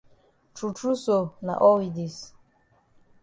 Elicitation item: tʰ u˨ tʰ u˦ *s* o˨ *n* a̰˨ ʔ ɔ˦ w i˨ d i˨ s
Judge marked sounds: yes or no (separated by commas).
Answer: yes, yes